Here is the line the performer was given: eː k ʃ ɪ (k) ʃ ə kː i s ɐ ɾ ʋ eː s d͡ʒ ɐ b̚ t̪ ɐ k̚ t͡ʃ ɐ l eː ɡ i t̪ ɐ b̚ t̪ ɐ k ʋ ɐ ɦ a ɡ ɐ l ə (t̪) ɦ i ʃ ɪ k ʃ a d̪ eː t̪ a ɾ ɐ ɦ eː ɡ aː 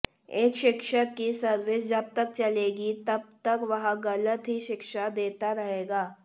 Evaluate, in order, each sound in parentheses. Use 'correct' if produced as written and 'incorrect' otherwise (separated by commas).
correct, correct